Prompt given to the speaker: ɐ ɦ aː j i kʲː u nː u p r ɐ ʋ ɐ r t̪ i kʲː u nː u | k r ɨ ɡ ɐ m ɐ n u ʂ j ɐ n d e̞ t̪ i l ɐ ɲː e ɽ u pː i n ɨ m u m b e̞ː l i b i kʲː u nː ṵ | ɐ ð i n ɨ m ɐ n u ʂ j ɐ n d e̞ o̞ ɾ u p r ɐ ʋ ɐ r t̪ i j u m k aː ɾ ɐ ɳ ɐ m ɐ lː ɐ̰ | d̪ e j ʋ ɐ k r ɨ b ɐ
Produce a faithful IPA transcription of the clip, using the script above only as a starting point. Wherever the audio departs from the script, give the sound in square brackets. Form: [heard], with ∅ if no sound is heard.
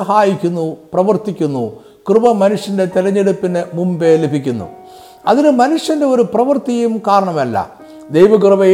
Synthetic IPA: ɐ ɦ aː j i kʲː u nː u p r ɐ ʋ ɐ r t̪ i kʲː u nː u | k r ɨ [b] ɐ m ɐ n u ʂ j ɐ n d e̞ t̪ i l ɐ ɲː e ɽ u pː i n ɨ m u m b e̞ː l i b i kʲː u nː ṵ | ɐ ð i n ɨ m ɐ n u ʂ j ɐ n d e̞ o̞ ɾ u p r ɐ ʋ ɐ r t̪ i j u m k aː ɾ ɐ ɳ ɐ m ɐ lː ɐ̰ | d̪ e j ʋ ɐ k r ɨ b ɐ